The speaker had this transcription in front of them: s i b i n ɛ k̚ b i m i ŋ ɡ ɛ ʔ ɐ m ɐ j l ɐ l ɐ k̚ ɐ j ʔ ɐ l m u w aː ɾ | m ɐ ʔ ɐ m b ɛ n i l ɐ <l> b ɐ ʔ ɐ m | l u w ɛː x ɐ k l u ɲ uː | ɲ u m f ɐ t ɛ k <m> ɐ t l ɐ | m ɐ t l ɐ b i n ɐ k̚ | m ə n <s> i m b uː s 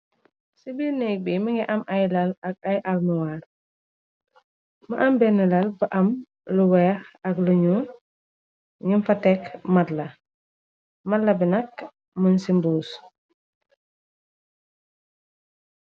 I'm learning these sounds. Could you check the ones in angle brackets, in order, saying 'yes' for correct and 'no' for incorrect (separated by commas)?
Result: yes, yes, yes